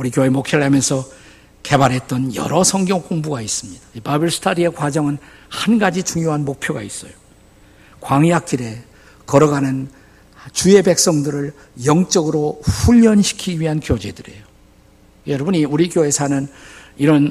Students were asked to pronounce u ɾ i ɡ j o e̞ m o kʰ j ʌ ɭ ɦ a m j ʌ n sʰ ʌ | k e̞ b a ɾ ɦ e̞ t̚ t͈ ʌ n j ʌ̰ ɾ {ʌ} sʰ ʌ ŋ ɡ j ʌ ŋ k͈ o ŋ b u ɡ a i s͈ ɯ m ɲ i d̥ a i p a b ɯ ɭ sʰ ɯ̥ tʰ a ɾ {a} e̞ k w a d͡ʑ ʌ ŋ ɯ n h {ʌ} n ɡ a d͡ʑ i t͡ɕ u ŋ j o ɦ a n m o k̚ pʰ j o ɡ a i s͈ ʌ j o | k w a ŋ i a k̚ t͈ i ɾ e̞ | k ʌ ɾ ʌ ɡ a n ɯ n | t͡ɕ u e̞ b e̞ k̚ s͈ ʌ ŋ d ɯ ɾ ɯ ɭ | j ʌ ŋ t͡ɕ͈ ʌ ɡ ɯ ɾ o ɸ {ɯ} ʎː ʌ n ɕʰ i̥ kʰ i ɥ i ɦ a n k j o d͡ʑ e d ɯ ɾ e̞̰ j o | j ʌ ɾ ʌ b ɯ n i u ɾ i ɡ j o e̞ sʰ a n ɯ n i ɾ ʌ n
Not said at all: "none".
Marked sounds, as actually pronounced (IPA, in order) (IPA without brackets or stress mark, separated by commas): ʌ, i, a, u